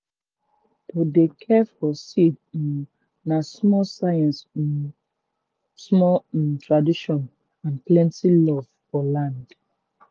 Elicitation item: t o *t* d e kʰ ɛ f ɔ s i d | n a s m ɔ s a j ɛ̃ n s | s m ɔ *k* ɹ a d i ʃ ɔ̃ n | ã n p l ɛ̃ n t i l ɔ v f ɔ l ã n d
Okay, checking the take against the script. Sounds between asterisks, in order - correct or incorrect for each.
incorrect: none, incorrect: t

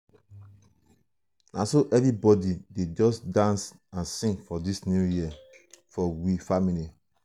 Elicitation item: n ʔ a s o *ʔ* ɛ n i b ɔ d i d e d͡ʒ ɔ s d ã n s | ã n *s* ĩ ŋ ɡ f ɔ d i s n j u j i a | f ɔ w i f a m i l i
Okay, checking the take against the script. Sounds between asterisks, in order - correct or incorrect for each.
correct, correct

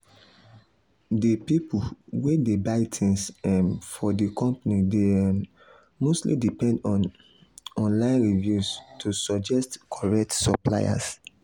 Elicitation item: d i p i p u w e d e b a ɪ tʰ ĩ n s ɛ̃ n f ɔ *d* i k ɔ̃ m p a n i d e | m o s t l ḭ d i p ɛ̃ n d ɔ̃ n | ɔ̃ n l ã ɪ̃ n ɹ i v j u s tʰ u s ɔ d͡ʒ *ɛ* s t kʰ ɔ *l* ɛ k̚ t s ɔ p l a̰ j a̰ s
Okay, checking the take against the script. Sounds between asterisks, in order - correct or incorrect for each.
correct, correct, incorrect: ɹ

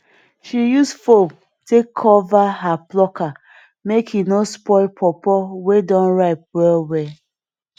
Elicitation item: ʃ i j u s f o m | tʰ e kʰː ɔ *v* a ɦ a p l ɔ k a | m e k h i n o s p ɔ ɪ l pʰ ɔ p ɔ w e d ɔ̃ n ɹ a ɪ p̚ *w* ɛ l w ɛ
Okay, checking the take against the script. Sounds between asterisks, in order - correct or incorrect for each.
correct, correct

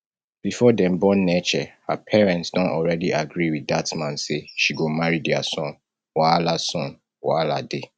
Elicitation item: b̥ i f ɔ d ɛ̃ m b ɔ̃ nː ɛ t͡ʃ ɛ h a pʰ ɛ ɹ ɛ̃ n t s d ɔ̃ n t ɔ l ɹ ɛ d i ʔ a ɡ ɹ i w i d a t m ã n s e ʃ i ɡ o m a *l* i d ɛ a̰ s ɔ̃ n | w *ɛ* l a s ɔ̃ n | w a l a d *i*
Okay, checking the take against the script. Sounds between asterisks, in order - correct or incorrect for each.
incorrect: ɹ, incorrect: a, incorrect: e

